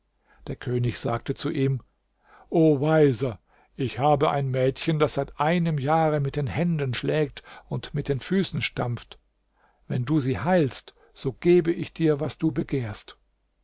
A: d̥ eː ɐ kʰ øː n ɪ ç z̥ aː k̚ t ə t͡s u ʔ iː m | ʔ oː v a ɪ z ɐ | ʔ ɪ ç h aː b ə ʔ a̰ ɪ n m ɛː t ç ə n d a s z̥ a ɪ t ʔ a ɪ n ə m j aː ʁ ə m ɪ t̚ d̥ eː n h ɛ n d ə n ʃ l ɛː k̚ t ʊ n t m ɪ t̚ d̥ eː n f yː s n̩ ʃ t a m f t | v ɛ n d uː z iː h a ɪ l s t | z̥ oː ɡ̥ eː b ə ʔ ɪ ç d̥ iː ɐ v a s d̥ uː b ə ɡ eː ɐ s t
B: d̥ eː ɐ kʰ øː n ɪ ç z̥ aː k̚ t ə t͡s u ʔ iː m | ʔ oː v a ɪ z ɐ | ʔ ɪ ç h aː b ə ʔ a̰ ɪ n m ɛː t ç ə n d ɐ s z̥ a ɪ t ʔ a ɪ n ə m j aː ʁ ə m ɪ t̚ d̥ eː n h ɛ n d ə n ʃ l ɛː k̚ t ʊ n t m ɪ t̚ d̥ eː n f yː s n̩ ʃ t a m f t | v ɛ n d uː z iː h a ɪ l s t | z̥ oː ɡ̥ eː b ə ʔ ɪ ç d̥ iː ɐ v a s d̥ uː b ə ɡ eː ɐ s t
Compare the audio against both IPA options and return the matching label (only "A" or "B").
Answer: A